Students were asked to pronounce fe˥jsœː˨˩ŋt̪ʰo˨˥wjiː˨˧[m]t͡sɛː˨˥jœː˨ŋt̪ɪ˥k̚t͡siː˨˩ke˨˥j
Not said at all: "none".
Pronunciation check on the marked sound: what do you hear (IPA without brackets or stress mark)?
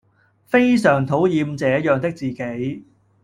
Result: m